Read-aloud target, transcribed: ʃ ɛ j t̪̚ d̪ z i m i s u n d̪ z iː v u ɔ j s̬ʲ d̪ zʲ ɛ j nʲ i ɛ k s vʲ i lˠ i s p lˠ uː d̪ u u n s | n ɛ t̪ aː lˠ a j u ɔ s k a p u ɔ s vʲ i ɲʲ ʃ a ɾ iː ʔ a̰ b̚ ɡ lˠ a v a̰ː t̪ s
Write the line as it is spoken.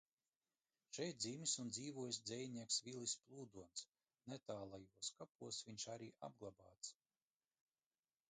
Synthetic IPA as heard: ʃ ɛ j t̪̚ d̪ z i m i s u n d̪ z iː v u ɔ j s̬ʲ d̪ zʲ ɛ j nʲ i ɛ k s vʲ i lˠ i s p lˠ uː d̪ u ɔ n s | n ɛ t̪ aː lˠ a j u ɔ s k a p u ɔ s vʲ i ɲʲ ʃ a ɾ iː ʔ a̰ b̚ ɡ lˠ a b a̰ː t̪ s